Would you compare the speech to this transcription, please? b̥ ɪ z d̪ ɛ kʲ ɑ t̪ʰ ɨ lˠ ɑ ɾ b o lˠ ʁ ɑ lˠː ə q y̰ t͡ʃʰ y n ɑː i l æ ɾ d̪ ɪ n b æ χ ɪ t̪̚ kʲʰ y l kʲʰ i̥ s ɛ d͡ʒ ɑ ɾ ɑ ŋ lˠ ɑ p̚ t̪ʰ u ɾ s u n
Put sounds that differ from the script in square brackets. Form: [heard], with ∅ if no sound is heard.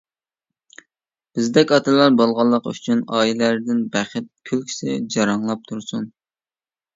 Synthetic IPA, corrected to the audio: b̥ ɪ z d̪ ɛ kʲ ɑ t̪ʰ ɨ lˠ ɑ ɾ b o lˠ ʁ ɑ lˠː ə q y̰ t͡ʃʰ y n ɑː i l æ ɾ d̪ ɪ n b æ χ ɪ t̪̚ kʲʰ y l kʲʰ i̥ s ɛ d͡ʒ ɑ ɾ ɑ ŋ lˠ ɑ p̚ t̪ʰ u ɾ s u n